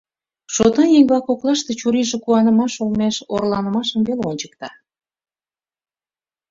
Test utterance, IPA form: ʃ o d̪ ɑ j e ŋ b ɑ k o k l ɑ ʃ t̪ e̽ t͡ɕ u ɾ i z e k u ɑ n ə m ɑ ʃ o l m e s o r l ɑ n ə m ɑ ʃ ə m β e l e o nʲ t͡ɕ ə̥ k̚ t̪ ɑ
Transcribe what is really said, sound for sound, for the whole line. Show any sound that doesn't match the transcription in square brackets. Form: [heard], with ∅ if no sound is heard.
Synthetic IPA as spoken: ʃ o [t̪] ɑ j e ŋ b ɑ k o k l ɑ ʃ t̪ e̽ t͡ɕ u ɾ i [ʒ] e k u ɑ n ə m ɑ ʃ o l m e [ʃ] o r l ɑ n ə m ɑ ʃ ə m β e l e o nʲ t͡ɕ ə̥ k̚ t̪ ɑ